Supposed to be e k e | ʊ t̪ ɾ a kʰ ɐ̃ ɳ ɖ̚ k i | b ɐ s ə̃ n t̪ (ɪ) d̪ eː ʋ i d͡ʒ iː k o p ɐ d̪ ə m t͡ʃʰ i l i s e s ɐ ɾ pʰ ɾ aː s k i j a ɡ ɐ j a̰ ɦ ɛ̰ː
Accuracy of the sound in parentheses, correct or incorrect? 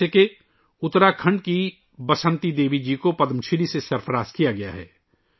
incorrect